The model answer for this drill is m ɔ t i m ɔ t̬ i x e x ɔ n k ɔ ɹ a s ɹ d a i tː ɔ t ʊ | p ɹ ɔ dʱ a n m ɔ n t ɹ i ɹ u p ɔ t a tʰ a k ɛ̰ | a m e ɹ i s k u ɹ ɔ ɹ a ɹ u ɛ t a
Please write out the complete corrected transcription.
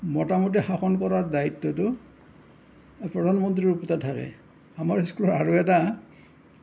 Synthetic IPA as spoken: m ɔ t a m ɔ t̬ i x a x ɔ n k ɔ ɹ a ɹ d a i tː ɔ t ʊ | p ɹ ɔ dʱ a n m ɔ n t ɹ i ɹ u p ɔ t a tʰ a k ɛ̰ | a m a ɹ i s k u l ɔ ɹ a ɹ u ɛ t a

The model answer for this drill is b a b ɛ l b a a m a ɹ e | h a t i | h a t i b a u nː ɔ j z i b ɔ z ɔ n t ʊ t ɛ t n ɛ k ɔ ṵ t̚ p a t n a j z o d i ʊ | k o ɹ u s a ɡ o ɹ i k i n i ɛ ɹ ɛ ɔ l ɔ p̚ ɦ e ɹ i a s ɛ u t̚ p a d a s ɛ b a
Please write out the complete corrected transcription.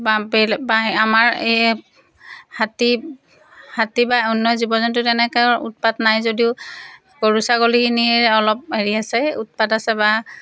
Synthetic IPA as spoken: b a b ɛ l b a a m a ɹ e | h a t i | h a t i b a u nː ɔ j z i b ɔ z ɔ n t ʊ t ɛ n ɛ k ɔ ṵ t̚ p a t n a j z o d i ʊ | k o ɹ u s a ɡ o l i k i n i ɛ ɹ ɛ ɔ l ɔ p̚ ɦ e ɹ i a s ɛ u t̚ p a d a s ɛ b a

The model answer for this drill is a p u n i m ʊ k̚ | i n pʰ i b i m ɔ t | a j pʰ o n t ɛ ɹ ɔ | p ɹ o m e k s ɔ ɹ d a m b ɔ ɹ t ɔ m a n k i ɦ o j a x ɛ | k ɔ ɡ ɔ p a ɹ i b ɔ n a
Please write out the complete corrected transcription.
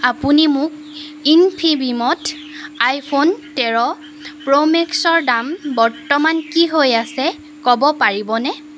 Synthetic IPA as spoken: a p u n i m ʊ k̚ | i n pʰ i b i m ɔ t | a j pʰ o n t ɛ ɹ ɔ | p ɹ o m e k s ɔ ɹ d a m b ɔ ɹ t ɔ m a n k i ɦ o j a s ɛ | k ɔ b ɔ p a ɹ i b ɔ n ɛ

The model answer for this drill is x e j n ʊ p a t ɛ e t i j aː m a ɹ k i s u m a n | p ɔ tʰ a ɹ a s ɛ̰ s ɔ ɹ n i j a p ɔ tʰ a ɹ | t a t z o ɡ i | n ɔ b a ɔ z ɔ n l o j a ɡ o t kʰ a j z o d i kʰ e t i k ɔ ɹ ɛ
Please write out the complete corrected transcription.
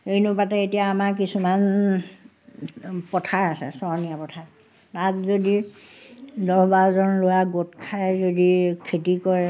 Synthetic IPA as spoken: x e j n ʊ p a t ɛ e t i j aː m a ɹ k i s u m a n | p ɔ tʰ a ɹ a s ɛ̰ s ɔ ɹ n i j a p ɔ tʰ a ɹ | t a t z o d i | d ɔ b a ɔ z ɔ n l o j a ɡ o t kʰ a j z o d i kʰ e t i k ɔ ɹ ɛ

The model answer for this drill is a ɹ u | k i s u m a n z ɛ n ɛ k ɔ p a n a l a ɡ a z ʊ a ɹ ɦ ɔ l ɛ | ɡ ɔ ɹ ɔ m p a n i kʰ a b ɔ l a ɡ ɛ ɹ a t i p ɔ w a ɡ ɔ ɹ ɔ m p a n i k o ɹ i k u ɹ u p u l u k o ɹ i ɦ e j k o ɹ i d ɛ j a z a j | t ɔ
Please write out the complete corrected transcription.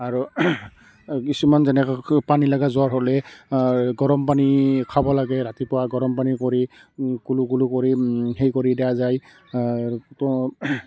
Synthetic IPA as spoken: a ɹ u | k i s u m a n z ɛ n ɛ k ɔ p a n i l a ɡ a z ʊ a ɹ ɦ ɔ l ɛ | ɡ ɔ ɹ ɔ m p a n i kʰ a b ɔ l a ɡ ɛ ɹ a t i p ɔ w a ɡ ɔ ɹ ɔ m p a n i k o ɹ i k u l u k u l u k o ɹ i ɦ e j k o ɹ i d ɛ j a z a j | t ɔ

